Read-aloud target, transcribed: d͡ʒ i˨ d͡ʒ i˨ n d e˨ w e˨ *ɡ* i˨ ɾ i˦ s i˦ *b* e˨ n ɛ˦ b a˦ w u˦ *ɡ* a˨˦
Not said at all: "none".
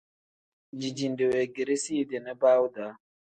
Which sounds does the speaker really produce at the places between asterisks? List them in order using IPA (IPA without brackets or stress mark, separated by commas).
ɡ, d, d